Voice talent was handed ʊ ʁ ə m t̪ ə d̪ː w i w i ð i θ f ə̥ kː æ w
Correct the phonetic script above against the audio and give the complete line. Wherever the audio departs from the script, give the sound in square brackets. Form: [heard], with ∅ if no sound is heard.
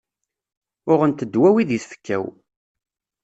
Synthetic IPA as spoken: ʊ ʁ ə [n] t̪ ə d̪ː w [æ] w i ð i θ f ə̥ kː æ w